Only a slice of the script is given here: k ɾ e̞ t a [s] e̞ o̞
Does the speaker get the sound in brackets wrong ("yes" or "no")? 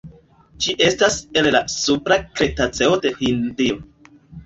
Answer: yes